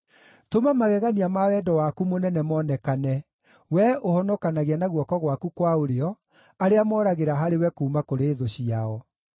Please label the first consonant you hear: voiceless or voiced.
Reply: voiceless